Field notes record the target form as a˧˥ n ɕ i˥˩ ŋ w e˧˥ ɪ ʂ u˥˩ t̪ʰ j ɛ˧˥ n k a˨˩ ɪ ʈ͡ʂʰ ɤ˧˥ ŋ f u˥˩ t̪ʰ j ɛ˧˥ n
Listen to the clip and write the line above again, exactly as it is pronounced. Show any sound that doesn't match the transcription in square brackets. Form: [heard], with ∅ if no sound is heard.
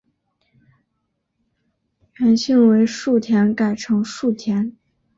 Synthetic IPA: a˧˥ n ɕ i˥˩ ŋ w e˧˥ ɪ ʂ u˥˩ t̪ʰ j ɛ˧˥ n k a˨˩ ɪ ʈ͡ʂʰ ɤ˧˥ ŋ [ʂ] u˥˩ t̪ʰ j ɛ˧˥ n